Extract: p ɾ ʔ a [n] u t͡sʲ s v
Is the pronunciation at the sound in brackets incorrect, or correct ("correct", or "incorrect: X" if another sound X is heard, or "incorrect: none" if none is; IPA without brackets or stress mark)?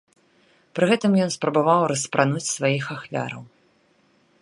correct